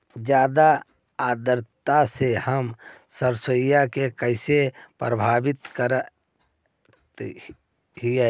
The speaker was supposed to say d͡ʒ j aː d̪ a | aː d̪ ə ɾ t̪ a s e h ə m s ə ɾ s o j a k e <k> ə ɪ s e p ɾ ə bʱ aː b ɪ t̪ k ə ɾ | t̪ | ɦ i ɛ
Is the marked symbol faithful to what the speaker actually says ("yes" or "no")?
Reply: yes